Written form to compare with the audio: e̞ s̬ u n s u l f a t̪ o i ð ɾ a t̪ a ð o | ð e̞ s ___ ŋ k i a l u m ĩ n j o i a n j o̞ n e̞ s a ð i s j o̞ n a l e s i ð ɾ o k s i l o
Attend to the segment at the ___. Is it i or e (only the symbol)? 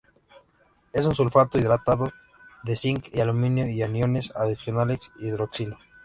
i